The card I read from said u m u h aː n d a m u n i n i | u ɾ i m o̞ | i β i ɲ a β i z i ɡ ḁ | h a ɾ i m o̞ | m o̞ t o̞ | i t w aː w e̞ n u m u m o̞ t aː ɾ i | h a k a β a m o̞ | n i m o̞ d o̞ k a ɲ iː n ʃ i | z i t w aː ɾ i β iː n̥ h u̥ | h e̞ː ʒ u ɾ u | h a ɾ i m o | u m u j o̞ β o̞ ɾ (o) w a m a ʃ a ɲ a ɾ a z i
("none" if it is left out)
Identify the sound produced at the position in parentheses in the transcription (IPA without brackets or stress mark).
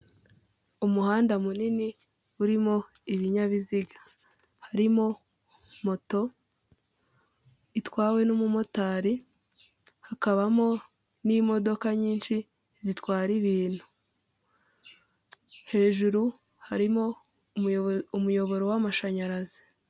o